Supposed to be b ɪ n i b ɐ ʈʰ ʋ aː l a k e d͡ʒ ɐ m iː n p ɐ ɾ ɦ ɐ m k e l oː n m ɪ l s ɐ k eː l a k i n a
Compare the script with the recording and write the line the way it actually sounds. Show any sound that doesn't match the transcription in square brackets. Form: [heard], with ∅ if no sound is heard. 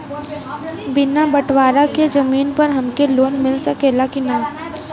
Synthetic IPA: b ɪ n [a] b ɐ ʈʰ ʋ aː [ɾ] a k e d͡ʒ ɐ m iː n p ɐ ɾ ɦ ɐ m k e l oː n m ɪ l s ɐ k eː l a k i n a